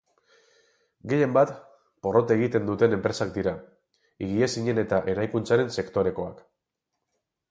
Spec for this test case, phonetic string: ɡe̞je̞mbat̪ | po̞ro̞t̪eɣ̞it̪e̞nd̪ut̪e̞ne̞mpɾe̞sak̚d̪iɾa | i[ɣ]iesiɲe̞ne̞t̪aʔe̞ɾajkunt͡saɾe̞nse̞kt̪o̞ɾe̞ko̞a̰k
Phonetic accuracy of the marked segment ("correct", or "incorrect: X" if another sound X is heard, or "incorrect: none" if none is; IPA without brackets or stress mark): correct